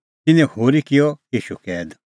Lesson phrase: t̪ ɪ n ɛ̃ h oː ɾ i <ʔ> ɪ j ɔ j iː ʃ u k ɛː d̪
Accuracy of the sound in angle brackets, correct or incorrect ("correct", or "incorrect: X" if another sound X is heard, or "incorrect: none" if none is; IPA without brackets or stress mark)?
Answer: incorrect: k